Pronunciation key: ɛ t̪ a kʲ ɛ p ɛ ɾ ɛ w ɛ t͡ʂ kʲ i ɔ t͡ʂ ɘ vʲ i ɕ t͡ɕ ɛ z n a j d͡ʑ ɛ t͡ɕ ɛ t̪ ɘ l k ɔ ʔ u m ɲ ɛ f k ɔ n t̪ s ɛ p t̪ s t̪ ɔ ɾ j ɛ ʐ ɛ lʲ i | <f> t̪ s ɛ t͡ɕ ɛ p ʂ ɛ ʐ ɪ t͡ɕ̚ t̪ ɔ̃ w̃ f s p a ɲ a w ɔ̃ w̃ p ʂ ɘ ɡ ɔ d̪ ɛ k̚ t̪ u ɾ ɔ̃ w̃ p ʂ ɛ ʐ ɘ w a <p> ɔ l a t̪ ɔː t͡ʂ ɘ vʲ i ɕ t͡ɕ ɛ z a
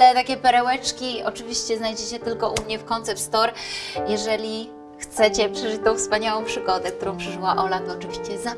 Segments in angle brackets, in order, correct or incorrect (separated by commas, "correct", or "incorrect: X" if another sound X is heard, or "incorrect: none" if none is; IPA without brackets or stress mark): incorrect: x, incorrect: ʔ